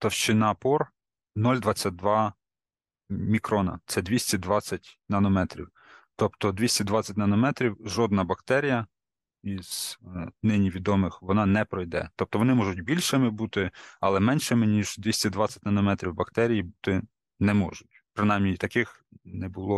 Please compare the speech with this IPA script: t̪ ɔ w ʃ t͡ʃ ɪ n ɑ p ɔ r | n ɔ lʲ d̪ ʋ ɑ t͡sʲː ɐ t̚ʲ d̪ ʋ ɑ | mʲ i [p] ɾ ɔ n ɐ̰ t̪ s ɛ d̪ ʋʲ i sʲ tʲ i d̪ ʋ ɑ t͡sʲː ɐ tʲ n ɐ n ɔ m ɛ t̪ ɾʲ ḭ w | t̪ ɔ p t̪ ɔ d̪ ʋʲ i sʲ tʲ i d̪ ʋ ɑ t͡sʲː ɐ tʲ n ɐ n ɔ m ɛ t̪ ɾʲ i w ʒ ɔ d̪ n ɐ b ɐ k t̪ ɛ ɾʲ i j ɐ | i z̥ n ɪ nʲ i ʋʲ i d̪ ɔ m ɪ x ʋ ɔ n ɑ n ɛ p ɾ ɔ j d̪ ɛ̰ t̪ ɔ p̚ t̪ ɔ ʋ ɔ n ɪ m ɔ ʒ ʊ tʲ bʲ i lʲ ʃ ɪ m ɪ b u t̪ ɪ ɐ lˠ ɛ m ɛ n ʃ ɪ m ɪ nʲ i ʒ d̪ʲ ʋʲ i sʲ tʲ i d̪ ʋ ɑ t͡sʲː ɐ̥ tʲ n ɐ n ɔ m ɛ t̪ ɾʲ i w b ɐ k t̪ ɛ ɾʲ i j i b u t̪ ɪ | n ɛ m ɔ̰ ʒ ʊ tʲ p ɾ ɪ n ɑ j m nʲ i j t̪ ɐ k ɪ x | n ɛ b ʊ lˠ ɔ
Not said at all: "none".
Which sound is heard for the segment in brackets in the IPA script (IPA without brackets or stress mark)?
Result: k